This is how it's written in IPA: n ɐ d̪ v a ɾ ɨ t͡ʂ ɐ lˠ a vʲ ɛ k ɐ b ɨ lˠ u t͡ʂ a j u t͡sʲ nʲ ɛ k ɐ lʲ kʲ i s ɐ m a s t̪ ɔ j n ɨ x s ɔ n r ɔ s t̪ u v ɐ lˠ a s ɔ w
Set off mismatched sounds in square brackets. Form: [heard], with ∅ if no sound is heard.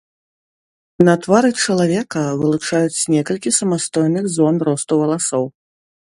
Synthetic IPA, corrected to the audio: n ɐ [t̪] v a ɾ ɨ t͡ʂ ɐ lˠ a vʲ ɛ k ɐ [v] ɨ lˠ u t͡ʂ a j u t͡sʲ nʲ ɛ k ɐ lʲ kʲ i s ɐ m a s t̪ ɔ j n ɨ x [z] ɔ n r ɔ s t̪ u v ɐ lˠ a s ɔ w